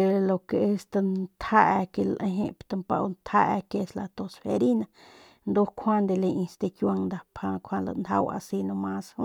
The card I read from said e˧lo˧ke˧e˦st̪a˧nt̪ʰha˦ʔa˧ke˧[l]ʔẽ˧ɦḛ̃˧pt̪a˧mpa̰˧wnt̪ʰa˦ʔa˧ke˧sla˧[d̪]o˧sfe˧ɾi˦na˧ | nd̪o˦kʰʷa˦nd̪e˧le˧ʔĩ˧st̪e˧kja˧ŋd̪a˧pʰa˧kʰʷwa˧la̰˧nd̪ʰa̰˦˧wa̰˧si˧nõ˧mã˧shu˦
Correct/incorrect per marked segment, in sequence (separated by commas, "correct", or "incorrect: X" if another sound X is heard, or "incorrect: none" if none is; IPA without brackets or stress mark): correct, incorrect: t̪